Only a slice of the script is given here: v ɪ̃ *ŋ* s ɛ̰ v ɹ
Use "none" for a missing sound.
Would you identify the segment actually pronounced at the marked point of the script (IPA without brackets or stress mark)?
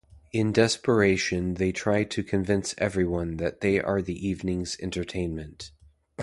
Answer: n